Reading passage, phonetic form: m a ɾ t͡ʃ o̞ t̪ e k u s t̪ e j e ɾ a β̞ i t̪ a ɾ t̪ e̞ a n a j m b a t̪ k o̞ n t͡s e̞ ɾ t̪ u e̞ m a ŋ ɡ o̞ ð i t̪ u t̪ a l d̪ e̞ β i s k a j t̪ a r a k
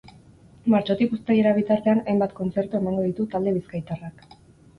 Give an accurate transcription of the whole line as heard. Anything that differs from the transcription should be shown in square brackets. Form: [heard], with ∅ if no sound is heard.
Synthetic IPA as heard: m a ɾ t͡ʃ o̞ t̪ [i] k u s t̪ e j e ɾ a β̞ i t̪ a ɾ t̪ e̞ a n a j m b a t̪ k o̞ n t͡s e̞ ɾ t̪ u e̞ m a ŋ ɡ o̞ ð i t̪ u t̪ a l d̪ e̞ β i s k a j t̪ a r a k